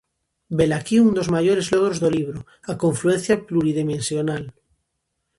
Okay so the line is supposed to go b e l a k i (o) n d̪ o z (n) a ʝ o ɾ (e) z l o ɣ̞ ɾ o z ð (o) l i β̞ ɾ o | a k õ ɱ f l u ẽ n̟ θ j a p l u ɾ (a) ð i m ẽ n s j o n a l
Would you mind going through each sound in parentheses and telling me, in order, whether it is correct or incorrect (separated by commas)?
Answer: incorrect, incorrect, correct, correct, incorrect